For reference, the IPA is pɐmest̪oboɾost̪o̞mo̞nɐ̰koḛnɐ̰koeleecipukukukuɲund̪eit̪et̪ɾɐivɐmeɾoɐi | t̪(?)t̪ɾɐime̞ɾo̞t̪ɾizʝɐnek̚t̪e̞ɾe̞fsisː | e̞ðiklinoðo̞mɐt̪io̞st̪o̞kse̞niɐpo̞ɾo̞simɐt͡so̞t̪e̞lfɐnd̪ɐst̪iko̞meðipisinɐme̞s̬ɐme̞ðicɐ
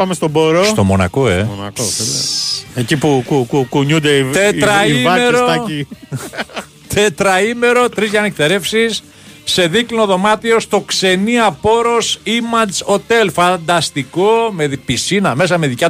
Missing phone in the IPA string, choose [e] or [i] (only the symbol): e